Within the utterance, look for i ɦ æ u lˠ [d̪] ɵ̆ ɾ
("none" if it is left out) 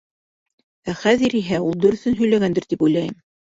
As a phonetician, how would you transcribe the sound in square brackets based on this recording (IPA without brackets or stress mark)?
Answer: d̪